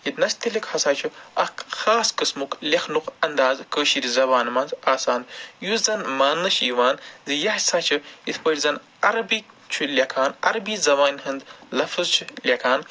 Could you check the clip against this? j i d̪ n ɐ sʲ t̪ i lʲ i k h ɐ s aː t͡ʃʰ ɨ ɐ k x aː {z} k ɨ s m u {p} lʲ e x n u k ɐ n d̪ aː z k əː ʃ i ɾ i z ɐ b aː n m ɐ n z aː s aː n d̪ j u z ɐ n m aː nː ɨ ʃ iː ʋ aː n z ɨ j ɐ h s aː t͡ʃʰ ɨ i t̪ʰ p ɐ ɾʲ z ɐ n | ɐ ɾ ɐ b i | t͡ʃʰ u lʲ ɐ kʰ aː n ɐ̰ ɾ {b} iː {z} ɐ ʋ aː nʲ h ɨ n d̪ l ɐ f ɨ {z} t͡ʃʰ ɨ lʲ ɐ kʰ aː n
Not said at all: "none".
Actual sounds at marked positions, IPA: s, k, b, z, z

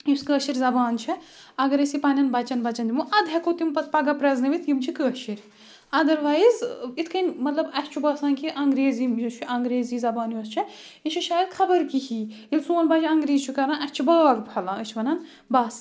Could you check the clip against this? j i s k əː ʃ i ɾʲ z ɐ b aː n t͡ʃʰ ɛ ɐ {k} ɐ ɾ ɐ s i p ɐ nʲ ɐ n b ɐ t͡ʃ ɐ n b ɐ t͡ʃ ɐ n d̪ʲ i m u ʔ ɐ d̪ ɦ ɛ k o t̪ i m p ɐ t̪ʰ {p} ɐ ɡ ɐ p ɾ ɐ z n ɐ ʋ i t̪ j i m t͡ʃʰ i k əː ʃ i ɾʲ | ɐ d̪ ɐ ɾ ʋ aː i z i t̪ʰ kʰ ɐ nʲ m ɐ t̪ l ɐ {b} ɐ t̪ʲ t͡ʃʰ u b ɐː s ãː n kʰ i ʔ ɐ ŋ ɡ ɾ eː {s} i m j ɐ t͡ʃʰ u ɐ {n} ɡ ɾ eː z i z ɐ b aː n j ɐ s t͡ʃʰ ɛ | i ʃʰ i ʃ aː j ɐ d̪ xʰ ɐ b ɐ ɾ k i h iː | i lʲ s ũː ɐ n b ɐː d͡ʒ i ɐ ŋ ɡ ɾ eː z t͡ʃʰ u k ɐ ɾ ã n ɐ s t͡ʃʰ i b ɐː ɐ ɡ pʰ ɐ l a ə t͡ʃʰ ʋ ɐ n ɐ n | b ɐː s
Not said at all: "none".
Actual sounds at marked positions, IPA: ɡ, p, b, z, ŋ

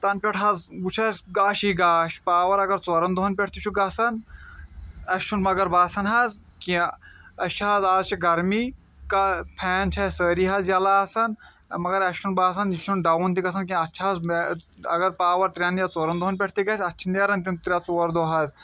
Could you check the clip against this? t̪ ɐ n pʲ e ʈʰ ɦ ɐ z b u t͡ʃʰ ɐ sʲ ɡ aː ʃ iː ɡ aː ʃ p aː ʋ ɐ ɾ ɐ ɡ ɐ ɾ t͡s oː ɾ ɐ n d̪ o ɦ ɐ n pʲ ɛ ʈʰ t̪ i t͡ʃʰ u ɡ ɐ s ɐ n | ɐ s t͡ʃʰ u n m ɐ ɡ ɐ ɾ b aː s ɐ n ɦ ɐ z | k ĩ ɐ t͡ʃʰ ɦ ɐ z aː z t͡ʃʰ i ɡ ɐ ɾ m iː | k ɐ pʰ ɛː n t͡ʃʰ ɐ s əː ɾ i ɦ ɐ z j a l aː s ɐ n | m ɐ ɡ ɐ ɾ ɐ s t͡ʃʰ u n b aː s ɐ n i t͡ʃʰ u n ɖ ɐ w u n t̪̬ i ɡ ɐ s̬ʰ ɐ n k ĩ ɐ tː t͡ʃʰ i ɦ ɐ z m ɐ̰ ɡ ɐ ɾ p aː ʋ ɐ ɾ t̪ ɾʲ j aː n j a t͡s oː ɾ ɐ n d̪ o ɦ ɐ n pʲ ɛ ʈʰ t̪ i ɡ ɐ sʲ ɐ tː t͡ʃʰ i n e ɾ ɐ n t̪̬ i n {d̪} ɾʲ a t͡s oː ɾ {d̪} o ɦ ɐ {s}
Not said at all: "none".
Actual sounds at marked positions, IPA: t̪, d̪, z

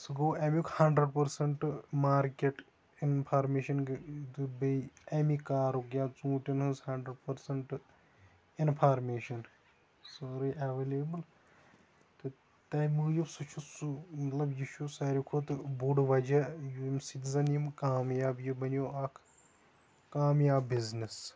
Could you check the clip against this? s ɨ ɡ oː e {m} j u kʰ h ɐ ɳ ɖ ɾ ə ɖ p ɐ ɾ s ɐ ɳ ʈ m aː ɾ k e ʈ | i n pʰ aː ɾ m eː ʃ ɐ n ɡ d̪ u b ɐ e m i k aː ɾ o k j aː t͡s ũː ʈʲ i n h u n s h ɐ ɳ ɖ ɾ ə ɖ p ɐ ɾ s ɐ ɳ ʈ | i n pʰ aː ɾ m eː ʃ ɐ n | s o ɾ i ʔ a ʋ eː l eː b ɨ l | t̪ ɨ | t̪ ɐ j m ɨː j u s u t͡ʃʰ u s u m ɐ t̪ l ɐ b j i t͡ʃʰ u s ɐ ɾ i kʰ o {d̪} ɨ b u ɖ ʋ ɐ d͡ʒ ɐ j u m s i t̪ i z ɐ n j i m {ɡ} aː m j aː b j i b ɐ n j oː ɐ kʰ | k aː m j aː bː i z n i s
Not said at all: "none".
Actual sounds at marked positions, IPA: m, t̪, k

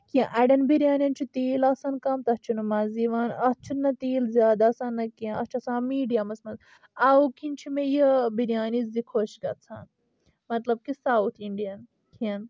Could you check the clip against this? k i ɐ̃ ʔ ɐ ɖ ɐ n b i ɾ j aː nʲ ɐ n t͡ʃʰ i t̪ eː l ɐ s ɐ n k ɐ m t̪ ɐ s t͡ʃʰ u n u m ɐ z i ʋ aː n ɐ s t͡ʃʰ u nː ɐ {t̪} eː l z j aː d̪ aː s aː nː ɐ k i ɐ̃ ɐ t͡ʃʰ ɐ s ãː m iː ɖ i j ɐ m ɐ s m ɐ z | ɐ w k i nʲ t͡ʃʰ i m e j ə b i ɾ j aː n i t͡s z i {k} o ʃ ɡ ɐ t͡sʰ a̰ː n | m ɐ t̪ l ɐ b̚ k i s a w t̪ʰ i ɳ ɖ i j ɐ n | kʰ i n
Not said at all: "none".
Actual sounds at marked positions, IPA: t̪, kʰ

